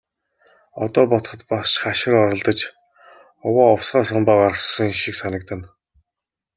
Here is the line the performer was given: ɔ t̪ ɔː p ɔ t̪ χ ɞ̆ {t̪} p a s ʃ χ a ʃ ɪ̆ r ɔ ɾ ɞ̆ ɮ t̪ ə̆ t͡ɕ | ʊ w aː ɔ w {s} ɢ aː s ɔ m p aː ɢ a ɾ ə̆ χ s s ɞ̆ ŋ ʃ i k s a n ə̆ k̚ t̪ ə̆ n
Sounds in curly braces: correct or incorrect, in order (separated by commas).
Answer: correct, correct